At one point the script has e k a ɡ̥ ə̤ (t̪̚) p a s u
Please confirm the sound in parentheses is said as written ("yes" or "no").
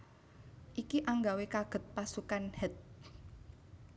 yes